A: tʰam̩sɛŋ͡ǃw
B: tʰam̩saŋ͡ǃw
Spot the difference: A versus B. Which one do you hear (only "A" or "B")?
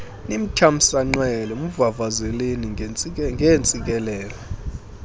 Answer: B